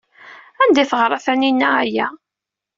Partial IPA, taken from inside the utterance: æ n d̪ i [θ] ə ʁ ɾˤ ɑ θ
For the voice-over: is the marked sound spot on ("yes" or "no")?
yes